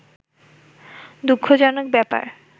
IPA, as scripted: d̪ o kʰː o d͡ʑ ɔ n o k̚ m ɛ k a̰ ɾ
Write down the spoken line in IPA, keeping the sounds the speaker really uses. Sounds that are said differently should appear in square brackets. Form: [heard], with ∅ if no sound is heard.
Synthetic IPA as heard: d̪ [u] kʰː o d͡ʑ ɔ n o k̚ [b] ɛ [p] a̰ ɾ